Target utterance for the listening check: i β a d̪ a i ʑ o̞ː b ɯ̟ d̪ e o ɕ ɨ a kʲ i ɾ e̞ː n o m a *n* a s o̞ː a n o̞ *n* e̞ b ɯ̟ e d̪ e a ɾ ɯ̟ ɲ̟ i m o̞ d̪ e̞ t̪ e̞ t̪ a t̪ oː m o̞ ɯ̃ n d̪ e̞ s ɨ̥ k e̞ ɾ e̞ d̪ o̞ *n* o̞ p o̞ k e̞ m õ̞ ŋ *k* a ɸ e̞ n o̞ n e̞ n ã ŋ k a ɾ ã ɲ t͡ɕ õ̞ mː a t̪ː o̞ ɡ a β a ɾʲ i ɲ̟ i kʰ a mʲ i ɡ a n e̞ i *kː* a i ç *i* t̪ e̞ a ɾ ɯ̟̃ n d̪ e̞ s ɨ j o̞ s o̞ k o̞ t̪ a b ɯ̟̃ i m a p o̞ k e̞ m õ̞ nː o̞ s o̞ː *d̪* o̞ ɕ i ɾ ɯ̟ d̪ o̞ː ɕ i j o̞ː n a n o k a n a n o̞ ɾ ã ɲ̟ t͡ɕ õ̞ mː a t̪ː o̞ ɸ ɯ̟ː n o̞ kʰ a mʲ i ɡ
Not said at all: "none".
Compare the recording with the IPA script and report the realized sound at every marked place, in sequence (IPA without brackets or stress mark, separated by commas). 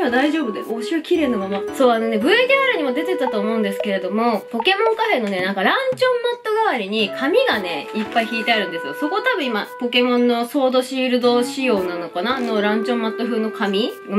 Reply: m, n, m, k, pː, iː, d̪